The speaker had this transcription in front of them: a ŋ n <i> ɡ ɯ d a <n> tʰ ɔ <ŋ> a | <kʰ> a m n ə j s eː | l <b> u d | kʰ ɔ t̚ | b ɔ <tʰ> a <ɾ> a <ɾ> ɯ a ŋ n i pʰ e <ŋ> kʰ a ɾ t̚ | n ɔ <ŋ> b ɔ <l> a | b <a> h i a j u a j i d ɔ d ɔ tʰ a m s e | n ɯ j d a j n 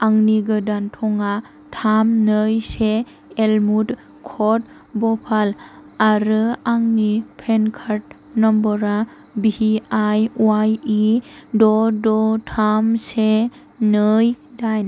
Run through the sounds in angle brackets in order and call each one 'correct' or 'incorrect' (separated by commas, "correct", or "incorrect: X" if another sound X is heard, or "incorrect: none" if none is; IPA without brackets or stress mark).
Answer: correct, correct, correct, incorrect: tʰ, incorrect: m, incorrect: pʰ, incorrect: l, correct, incorrect: n, incorrect: m, incorrect: ɾ, incorrect: i